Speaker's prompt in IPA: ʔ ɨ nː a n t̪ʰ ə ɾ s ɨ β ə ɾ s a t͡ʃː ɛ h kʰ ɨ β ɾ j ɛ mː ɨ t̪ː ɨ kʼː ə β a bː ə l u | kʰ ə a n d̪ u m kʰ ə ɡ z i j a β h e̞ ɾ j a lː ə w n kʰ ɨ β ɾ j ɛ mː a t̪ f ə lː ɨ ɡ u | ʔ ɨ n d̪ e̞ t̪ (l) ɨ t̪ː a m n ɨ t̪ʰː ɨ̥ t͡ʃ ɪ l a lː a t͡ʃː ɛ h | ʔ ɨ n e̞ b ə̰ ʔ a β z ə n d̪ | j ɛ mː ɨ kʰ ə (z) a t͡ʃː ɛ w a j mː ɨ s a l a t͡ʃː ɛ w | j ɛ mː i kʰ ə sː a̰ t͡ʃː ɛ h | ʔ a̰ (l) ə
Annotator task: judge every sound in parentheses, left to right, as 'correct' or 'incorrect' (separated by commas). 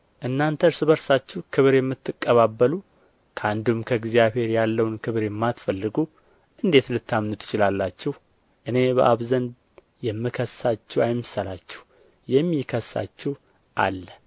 correct, incorrect, incorrect